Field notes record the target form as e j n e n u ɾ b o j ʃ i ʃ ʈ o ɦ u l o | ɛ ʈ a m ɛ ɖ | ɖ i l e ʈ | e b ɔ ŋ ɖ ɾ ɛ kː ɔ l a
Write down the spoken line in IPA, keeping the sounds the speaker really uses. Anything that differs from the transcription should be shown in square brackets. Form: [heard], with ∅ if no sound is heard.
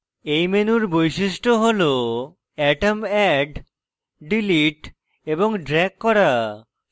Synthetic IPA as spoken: e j [m] e n u ɾ b o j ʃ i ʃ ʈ o ɦ [o] l o | ɛ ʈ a m ɛ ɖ | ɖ i l [i] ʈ | e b [o] ŋ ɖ ɾ ɛ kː ɔ [ɾ] a